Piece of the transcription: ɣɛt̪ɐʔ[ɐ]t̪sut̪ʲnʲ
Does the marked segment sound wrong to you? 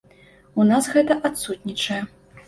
yes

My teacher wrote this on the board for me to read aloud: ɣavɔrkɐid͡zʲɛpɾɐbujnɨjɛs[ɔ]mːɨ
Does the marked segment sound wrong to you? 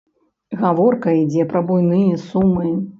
yes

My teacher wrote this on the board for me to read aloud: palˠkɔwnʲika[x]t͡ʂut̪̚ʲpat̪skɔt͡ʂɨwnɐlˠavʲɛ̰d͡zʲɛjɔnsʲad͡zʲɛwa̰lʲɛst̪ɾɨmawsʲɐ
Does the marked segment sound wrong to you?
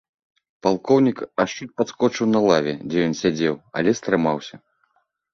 yes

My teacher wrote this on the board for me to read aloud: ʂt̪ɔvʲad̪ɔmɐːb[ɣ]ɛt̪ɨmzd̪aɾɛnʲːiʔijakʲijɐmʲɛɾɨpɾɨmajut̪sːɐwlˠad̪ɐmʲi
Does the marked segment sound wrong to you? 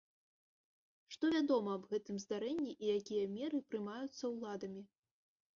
no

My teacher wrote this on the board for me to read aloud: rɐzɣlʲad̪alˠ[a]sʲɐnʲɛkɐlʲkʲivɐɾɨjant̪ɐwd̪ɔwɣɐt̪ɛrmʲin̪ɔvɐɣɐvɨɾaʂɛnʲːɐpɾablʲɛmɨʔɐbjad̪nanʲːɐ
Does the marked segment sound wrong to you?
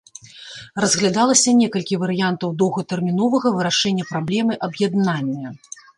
yes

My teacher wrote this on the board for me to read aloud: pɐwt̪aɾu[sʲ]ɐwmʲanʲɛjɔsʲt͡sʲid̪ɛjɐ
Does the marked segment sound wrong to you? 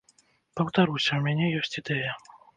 no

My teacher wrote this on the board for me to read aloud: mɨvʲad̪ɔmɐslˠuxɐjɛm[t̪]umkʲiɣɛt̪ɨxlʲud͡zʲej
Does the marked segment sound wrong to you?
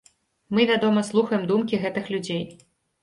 yes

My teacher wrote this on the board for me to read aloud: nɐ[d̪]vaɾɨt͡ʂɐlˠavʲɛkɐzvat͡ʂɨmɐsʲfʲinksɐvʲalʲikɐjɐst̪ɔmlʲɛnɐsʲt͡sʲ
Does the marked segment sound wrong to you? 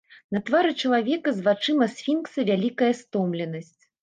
yes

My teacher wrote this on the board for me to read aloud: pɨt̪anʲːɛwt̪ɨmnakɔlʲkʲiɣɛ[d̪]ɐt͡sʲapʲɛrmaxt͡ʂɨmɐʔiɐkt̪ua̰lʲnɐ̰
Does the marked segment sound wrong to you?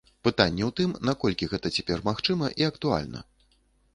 yes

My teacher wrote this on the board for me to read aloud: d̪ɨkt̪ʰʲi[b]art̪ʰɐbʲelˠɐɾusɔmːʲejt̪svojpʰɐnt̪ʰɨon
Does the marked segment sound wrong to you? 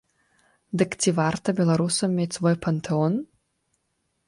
yes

